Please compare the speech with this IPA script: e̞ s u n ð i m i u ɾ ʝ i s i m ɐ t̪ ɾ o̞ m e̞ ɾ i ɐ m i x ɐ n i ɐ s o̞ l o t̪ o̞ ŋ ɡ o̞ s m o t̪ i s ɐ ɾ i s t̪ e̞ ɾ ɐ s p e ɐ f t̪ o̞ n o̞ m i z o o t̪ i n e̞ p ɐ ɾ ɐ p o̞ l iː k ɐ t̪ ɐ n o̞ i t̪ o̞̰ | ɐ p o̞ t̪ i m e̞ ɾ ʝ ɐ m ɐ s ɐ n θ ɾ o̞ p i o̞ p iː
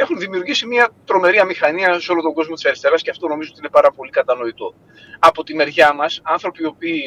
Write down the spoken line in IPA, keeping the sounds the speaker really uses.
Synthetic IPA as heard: e̞ x u n ð i m i u ɾ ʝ i s i m ɐ t̪ ɾ o̞ m e̞ ɾ i ɐ m i x ɐ n i ɐ s o̞ l o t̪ o̞ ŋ ɡ o̞ z m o t̪ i s ɐ ɾ i s t̪ e̞ ɾ ɐ s c e ɐ f t̪ o̞ n o̞ m i z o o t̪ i n e̞ p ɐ ɾ ɐ p o̞ l i k ɐ t̪ ɐ n o̞ i t̪ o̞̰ | ɐ p o̞ t̪ i m e̞ ɾ ʝ ɐ m ɐ s ɐ n θ ɾ o̞ p i o̞ p iː